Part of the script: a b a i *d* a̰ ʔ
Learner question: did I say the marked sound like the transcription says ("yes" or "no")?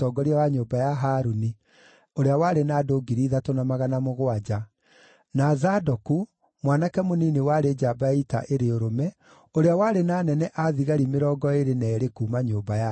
no